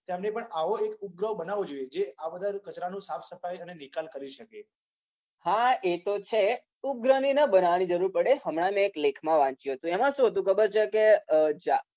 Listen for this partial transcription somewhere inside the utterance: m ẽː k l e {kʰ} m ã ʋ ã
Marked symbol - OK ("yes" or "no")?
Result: yes